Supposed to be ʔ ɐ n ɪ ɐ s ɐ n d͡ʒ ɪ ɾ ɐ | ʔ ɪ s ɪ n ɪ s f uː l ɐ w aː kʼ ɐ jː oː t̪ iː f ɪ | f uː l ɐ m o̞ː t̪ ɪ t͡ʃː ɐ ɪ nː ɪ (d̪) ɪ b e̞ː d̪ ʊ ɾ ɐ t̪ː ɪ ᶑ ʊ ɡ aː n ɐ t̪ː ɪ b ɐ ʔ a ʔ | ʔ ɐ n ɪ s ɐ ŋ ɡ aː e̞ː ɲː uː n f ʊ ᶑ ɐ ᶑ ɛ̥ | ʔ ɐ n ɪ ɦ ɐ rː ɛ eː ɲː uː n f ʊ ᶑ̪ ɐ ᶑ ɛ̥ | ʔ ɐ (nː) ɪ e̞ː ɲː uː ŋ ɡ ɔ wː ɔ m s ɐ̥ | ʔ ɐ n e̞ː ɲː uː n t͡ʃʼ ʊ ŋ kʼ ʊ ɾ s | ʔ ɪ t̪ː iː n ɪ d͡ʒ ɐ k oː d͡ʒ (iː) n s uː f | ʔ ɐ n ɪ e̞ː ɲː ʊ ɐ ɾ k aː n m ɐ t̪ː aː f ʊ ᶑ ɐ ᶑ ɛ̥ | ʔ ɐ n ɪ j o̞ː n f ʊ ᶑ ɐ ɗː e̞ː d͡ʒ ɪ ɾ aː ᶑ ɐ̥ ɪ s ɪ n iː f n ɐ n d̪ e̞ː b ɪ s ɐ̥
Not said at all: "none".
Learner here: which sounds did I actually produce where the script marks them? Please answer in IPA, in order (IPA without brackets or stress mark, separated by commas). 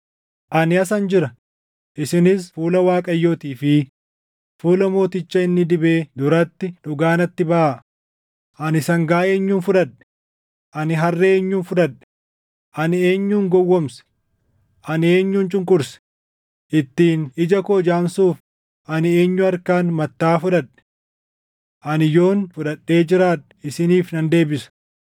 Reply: d̪, n, aː